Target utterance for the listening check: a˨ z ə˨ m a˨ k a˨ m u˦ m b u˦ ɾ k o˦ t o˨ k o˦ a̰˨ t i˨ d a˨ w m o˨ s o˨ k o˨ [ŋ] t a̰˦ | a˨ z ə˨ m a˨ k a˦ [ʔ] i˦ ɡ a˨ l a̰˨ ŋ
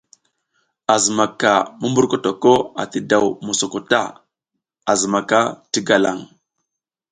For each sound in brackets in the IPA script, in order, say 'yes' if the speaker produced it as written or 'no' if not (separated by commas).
no, no